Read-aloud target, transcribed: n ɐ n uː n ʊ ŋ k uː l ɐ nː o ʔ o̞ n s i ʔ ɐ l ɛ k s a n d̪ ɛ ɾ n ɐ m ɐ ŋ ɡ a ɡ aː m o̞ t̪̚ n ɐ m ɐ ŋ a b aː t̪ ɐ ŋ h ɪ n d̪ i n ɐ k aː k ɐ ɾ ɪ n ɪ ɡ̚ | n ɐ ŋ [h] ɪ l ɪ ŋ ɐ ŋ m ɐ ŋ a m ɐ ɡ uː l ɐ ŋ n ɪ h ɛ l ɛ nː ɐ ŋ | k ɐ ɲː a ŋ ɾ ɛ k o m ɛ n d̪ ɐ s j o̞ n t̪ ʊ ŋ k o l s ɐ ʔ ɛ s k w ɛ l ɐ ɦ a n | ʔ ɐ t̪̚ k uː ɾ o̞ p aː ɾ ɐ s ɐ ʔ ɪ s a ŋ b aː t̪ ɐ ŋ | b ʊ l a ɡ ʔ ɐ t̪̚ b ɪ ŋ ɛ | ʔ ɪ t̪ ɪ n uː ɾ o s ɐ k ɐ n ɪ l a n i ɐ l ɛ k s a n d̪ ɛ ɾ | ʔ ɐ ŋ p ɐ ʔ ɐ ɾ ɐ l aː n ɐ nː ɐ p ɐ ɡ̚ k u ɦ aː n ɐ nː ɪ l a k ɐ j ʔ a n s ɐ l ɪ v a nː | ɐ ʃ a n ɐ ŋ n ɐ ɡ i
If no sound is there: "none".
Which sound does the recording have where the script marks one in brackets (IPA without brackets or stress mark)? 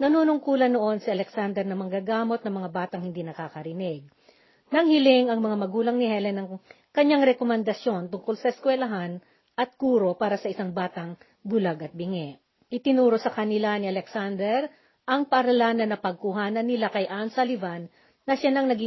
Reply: h